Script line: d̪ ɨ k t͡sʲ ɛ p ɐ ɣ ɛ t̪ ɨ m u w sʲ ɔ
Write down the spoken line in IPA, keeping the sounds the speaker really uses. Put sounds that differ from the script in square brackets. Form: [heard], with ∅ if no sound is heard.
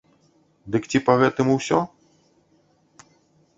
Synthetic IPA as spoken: d̪ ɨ k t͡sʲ [i] p ɐ ɣ ɛ t̪ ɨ m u w sʲ ɔ